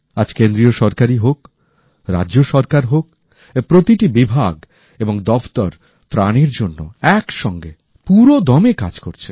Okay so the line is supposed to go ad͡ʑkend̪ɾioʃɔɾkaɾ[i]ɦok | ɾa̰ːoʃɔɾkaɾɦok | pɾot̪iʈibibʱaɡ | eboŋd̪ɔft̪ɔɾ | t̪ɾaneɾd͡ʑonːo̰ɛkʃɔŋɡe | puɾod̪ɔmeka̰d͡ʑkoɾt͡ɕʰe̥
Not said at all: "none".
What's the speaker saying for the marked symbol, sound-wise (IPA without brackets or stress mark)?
i